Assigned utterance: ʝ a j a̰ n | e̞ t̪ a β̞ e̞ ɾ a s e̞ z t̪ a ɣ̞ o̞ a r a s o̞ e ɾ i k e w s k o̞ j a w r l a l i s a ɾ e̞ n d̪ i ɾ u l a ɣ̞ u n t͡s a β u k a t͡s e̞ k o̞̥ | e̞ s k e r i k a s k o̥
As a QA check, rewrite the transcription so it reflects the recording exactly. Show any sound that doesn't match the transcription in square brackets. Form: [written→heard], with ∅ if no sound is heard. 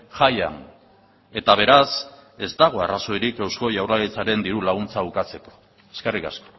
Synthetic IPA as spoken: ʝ a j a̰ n | e̞ t̪ a β̞ e̞ ɾ a s e̞ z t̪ a ɣ̞ o̞ a r a s o̞ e ɾ i k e w s k o̞ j a w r l a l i [s→t͡s] a ɾ e̞ n d̪ i ɾ u l a ɣ̞ u n t͡s a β u k a t͡s e̞ k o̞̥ | e̞ s k e r i k a s k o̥